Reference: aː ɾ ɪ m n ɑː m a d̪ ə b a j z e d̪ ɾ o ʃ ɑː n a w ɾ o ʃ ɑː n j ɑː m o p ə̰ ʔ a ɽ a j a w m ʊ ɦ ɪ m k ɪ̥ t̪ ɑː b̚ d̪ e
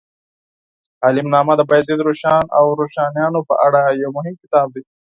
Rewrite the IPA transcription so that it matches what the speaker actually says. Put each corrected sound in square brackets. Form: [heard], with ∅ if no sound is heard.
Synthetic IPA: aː [l] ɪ m n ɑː m a d̪ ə b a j z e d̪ ɾ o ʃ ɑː n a w ɾ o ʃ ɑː n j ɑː [n] o p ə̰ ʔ a ɽ a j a w m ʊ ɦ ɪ m k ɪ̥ t̪ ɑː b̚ d̪ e